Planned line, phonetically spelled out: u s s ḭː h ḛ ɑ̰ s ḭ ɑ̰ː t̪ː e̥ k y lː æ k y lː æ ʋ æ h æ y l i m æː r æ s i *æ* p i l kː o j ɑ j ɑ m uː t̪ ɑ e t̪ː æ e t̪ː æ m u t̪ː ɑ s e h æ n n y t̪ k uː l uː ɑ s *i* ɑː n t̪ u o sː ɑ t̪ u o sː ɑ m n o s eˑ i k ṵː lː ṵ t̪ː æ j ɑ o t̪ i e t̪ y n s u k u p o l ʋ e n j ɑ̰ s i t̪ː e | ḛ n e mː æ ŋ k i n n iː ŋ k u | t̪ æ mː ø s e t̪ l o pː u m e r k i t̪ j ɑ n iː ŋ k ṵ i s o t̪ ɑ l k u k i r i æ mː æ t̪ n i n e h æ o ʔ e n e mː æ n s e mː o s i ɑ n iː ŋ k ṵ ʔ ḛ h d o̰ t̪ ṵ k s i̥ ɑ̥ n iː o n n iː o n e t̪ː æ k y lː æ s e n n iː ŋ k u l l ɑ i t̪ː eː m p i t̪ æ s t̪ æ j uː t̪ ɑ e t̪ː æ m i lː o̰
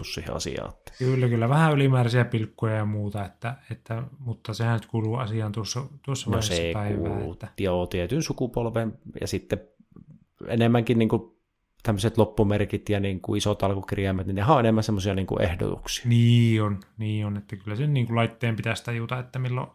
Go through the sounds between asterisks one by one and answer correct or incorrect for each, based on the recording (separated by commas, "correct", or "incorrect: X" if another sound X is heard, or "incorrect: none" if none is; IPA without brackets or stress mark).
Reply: correct, correct